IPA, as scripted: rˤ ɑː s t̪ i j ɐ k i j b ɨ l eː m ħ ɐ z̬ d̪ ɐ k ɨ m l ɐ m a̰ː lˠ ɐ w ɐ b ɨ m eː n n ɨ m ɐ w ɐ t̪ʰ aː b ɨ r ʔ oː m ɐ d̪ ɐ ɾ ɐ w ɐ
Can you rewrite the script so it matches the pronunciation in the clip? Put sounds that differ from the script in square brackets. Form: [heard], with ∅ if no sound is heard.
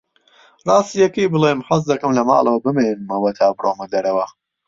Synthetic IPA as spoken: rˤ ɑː s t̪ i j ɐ k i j b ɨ l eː m ħ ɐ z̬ d̪ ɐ k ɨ m l ɐ m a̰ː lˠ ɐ w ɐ b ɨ m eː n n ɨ m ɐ w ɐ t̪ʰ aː b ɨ r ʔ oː m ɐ d̪ ɐ ɾ ɐ w ɐ